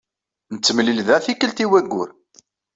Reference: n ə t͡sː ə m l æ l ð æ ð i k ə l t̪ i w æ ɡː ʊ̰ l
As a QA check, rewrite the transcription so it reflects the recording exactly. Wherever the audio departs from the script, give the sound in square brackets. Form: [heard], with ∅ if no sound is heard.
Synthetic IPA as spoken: n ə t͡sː ə m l [i] l ð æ [θ] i k ə l t̪ i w æ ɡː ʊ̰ [ɾ]